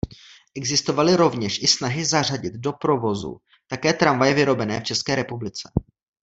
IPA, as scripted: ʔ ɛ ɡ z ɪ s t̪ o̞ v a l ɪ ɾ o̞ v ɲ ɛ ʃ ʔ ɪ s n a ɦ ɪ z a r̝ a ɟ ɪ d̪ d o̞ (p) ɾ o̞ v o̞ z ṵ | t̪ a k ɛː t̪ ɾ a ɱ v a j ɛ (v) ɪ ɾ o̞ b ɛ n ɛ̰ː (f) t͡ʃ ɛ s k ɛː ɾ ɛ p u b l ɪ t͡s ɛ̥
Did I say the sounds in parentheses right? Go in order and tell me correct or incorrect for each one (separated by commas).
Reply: correct, correct, correct